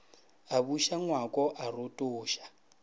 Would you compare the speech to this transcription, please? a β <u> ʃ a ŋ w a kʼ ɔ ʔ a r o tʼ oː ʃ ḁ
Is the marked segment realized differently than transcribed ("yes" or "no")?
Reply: no